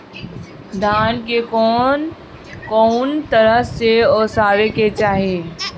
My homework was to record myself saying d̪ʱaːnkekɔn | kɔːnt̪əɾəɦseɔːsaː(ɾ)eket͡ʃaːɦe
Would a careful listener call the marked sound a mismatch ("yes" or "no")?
no